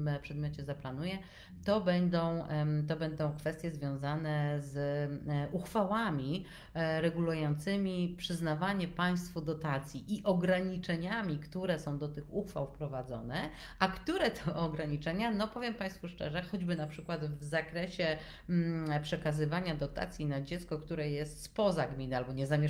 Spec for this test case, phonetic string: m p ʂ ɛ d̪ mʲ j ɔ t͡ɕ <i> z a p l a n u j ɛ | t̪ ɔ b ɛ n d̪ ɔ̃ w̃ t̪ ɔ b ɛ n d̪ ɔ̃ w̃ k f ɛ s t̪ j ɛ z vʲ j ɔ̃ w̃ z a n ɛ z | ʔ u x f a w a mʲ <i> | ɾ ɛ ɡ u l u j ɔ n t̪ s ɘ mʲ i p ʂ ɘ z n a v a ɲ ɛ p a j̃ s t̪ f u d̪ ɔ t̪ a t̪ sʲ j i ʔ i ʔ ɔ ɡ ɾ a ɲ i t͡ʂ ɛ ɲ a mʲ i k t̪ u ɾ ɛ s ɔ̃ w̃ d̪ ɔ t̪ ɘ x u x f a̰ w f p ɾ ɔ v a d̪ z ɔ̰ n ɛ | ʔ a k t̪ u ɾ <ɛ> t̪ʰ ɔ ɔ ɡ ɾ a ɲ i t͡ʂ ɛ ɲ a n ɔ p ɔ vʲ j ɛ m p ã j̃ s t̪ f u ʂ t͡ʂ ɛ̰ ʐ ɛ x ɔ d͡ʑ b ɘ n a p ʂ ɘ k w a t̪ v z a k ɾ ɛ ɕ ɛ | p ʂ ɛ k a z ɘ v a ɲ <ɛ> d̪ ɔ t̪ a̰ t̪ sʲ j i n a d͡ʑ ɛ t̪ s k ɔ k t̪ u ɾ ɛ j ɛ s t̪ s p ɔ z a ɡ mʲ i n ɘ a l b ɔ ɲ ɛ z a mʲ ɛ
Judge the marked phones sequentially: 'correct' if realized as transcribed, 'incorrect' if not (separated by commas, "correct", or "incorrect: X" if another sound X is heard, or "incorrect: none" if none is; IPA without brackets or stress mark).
incorrect: ɛ, correct, correct, incorrect: a